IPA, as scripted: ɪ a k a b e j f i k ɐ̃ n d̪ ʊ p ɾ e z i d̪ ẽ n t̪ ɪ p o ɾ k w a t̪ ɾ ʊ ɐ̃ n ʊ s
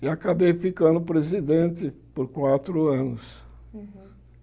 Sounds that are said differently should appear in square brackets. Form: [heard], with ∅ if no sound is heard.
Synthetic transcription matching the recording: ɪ a k a b e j f i k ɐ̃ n d̪ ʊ p ɾ e z i d̪ ẽ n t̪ ɪ p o ɾ k w a t̪ ɾ ʊ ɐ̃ n ʊ s